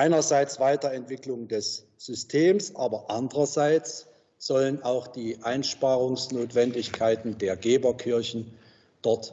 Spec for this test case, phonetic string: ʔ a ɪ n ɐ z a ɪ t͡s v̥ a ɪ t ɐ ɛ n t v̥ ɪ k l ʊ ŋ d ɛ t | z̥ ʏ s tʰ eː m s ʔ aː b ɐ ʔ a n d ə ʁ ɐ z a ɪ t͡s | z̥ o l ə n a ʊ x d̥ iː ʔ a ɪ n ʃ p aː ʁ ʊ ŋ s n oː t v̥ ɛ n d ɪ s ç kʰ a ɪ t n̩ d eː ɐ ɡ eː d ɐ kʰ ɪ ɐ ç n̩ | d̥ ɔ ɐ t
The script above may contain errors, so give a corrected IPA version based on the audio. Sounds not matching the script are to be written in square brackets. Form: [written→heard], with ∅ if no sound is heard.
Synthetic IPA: ʔ a ɪ n ɐ z a ɪ t͡s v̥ a ɪ t ɐ ɛ n t v̥ ɪ k l ʊ ŋ d ɛ [t→s] | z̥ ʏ s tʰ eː m s ʔ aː b ɐ ʔ a n d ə ʁ ɐ z a ɪ t͡s | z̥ [o→ɔ] l ə n a ʊ x d̥ iː ʔ a ɪ n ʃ p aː ʁ ʊ ŋ s n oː t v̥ ɛ n d ɪ [s→∅] ç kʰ a ɪ t n̩ d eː ɐ ɡ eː [d→b] ɐ kʰ ɪ ɐ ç n̩ | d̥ ɔ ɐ t